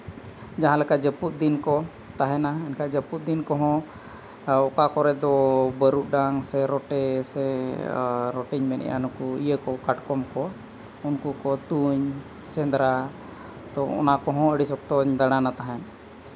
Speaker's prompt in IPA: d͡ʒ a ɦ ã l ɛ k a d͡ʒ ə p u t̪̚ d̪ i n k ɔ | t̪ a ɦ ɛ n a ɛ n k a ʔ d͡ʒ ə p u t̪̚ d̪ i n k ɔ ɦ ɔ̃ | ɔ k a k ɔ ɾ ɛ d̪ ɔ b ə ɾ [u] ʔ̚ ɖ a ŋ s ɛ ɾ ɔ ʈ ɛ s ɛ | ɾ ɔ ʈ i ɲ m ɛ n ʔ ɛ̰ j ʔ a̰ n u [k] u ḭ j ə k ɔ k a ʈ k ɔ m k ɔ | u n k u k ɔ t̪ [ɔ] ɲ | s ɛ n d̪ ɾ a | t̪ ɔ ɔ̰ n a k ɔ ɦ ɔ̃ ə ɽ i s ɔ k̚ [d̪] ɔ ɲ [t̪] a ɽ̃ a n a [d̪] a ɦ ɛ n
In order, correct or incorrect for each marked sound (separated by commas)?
correct, correct, incorrect, incorrect, incorrect, incorrect